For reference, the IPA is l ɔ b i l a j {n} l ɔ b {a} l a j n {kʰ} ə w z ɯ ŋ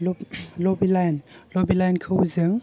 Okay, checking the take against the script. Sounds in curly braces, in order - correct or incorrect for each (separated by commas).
correct, incorrect, correct